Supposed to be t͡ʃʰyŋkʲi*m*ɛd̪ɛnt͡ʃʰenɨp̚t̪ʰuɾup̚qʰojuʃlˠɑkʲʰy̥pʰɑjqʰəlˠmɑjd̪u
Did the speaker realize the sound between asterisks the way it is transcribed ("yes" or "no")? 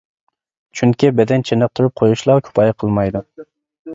no